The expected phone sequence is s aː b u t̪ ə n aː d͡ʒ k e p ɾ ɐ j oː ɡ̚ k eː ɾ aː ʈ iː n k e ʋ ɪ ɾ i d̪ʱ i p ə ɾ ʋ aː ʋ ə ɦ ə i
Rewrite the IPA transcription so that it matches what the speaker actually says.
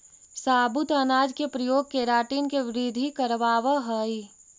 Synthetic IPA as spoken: s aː b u t̪ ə n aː d͡ʒ k e p ɾ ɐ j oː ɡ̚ k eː ɾ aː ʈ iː n k e ʋ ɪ ɾ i d̪ʱ i k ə ɾ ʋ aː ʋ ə ɦ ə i